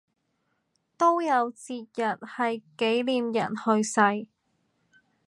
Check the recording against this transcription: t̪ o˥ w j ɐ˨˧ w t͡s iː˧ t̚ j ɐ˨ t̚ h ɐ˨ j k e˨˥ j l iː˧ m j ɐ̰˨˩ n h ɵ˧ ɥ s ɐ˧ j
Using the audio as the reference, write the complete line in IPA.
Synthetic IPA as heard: t̪ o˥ w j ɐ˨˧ w t͡s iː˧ t̚ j ɐ˨ t̚ h ɐ˨ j k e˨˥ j l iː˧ m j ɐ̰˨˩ n h ɵ˧ ɥ s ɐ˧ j